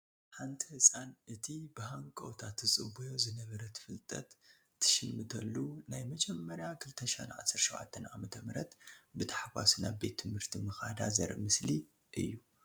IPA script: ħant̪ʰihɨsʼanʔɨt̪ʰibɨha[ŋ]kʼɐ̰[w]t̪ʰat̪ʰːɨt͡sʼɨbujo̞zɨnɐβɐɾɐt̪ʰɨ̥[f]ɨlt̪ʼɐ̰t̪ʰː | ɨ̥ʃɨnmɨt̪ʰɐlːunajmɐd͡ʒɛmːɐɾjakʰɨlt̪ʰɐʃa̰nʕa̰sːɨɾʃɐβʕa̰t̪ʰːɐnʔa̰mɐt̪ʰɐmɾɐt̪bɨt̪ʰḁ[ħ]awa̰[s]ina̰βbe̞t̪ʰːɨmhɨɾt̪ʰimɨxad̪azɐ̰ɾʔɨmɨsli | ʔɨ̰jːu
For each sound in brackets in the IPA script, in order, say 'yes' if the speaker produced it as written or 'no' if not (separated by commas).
yes, yes, yes, yes, yes